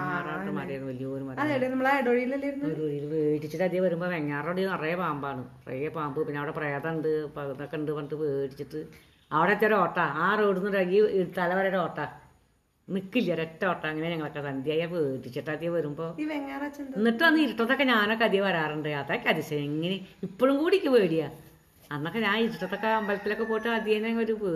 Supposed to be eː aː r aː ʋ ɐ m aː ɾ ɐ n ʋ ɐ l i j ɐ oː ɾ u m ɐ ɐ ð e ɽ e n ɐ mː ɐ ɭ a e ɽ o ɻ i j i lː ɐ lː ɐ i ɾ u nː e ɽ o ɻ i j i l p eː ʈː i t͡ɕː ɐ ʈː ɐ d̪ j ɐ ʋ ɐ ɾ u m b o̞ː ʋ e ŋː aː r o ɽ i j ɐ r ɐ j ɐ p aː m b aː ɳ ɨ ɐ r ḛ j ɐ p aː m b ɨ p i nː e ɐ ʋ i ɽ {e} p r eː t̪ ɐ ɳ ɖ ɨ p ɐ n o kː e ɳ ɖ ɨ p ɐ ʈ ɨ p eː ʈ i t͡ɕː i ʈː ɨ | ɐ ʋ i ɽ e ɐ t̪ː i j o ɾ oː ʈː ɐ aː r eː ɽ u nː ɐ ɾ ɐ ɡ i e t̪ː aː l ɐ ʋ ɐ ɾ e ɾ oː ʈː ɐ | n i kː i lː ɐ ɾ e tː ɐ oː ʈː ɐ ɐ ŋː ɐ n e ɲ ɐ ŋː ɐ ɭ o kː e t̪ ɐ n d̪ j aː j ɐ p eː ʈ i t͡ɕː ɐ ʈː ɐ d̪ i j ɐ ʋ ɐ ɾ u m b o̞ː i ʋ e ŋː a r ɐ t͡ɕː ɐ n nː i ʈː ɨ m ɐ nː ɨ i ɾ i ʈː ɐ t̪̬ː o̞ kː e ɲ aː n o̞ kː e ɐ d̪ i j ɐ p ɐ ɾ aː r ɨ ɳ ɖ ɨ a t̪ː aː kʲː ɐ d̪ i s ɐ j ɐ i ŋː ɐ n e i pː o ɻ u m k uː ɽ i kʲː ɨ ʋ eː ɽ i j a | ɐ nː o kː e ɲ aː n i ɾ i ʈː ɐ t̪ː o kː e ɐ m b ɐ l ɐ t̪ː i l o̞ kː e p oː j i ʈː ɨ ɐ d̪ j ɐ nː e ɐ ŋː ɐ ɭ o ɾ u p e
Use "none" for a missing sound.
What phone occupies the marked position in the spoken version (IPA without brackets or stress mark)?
e